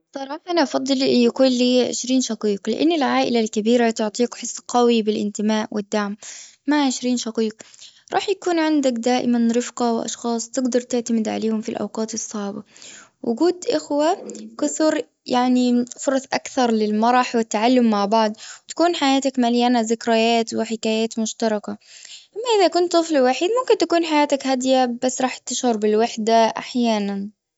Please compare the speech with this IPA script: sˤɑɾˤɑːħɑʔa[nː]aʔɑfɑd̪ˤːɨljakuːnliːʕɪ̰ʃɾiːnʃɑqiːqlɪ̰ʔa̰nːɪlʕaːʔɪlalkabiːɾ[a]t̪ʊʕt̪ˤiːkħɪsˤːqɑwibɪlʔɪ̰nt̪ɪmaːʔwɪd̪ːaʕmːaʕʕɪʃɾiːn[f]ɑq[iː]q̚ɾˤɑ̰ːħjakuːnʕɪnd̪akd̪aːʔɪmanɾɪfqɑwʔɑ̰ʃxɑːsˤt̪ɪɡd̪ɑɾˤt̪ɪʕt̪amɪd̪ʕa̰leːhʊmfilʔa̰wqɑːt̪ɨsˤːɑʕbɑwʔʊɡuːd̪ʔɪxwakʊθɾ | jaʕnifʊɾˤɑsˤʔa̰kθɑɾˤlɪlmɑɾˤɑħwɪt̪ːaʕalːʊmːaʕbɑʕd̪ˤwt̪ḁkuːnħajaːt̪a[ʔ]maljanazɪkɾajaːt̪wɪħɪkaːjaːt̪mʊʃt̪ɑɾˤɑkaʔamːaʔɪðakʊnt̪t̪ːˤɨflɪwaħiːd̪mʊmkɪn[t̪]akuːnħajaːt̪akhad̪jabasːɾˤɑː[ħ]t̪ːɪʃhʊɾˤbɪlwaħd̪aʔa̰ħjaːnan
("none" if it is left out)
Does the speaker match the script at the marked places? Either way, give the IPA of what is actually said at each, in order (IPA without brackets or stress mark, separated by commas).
n, a, ʃ, iː, k, t̪, ħ